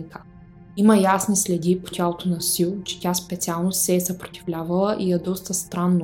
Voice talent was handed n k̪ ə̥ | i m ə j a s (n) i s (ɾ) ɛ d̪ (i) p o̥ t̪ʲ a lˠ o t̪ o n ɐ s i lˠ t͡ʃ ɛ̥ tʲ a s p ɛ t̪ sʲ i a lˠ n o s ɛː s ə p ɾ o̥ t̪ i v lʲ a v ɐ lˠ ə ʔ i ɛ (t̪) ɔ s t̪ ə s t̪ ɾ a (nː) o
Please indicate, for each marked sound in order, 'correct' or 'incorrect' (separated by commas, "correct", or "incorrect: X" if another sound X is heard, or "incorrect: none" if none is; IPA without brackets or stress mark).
correct, incorrect: l, correct, incorrect: d̪, correct